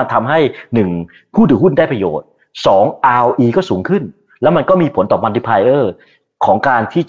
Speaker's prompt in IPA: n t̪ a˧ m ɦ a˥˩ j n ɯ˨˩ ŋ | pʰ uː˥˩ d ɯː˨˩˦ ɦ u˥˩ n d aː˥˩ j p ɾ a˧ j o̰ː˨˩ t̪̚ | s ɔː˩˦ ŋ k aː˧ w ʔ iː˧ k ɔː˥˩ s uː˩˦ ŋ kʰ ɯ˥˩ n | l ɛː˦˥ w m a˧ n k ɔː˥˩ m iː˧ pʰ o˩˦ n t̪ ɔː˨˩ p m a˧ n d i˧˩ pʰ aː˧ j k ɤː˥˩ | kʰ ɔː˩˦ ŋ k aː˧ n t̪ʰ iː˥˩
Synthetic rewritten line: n t̪ʰ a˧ m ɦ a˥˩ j n ɯ˨˩ ŋ | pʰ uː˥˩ d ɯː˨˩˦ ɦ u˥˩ n d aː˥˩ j p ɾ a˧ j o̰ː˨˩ t̪̚ | s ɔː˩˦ ŋ ʔ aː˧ w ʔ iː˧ k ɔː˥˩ s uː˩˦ ŋ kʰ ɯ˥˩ n | l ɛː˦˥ w m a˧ n k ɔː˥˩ m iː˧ pʰ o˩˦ n t̪ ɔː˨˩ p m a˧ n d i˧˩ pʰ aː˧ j ʔ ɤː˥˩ | kʰ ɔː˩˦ ŋ k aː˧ n t̪ʰ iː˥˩